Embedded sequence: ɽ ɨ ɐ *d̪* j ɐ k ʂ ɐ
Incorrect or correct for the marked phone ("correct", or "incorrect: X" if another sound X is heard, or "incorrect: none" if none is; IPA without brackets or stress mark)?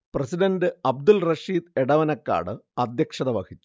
correct